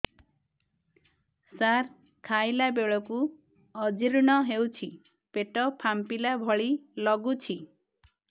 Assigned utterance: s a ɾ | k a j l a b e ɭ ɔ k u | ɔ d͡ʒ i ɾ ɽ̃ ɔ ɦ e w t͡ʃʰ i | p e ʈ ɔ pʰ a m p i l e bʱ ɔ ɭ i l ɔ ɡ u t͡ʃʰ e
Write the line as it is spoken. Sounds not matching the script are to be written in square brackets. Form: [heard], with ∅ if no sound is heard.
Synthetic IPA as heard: s a ɾ | [kʰ] a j l a b e ɭ ɔ k u | ɔ d͡ʒ i ɾ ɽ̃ ɔ ɦ e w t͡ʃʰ i | p e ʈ ɔ pʰ a m p i l [a] bʱ ɔ ɭ i l ɔ ɡ u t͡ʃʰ [i]